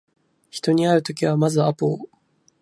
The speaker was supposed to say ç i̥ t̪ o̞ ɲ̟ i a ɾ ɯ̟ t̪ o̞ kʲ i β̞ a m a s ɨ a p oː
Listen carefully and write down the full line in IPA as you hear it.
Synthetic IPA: ç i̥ t̪ o̞ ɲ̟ i a ɾ ɯ̟ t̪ o̞ kʲ i β̞ a m a z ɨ a p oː